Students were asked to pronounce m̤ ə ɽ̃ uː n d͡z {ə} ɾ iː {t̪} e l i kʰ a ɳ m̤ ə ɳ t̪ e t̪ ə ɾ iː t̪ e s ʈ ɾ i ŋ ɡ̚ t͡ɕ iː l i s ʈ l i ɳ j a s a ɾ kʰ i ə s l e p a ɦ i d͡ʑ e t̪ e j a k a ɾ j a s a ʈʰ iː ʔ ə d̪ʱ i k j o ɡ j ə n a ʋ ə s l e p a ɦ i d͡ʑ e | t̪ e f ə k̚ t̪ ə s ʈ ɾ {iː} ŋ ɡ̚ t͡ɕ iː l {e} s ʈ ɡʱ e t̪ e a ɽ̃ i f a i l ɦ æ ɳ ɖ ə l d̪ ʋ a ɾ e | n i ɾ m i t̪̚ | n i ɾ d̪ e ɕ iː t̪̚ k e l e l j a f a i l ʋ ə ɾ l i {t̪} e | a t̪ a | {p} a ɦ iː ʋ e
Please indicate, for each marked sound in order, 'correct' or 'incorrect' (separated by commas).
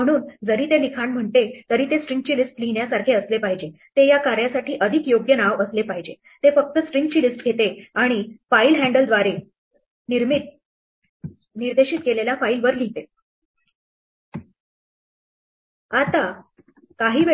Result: correct, correct, incorrect, incorrect, correct, incorrect